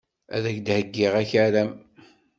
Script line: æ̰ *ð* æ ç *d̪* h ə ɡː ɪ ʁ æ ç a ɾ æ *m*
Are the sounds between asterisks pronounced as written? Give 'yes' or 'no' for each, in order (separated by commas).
yes, yes, yes